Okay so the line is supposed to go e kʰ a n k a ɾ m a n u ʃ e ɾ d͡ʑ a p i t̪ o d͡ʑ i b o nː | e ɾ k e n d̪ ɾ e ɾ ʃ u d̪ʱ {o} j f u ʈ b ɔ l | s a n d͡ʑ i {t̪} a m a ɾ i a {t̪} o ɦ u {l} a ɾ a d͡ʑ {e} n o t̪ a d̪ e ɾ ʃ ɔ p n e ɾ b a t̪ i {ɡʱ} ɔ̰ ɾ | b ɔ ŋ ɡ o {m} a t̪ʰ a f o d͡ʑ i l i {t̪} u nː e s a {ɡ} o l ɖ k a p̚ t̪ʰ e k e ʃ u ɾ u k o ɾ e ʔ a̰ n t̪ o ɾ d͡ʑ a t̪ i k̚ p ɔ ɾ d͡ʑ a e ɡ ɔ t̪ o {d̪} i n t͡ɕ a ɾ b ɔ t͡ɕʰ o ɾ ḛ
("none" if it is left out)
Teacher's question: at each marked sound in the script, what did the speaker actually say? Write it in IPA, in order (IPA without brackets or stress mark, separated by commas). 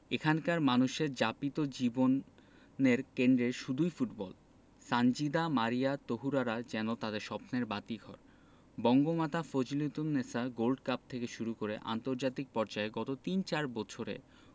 u, d̪, t̪, ɾ, ɛ, ɡʱ, m, t̪, ɡ, t̪